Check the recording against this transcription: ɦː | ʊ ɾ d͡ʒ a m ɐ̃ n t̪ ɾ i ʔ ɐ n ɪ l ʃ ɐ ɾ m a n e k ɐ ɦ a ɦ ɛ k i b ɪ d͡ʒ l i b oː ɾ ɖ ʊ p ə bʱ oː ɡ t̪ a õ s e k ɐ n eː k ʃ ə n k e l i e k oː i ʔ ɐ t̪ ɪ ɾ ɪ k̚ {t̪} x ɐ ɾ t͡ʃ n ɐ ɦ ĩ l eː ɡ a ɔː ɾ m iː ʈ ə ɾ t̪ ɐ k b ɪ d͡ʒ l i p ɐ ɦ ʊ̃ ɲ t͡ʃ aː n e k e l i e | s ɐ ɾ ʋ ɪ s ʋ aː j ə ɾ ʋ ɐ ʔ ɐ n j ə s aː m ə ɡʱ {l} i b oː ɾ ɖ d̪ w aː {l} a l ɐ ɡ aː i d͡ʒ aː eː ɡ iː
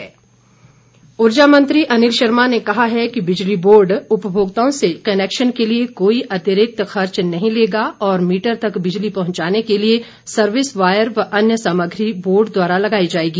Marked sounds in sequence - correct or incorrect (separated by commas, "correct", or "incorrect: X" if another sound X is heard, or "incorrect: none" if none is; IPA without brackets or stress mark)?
correct, incorrect: ɾ, incorrect: ɾ